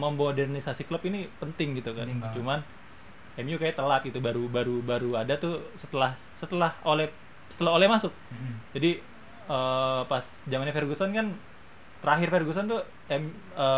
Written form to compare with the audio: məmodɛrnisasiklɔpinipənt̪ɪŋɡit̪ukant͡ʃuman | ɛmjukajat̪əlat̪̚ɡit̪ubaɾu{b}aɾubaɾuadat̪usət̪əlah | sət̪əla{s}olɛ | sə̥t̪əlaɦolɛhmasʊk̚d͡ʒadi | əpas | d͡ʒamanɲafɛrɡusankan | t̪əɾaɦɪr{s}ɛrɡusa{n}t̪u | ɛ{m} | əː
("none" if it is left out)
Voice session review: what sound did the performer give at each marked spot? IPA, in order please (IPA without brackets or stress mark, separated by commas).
b, h, f, n, m